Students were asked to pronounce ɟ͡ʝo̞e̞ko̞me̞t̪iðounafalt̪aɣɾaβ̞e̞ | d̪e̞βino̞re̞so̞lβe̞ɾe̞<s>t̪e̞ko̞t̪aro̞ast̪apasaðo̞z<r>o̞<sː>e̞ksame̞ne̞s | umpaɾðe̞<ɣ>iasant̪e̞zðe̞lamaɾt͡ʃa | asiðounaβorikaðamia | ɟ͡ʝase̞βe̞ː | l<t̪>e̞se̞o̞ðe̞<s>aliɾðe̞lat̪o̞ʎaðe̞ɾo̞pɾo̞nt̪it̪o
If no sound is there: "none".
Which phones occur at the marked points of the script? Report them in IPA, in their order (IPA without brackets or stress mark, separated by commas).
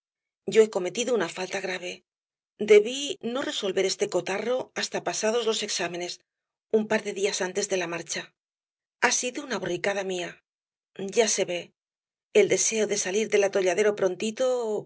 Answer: s, l, s, ð, d̪, s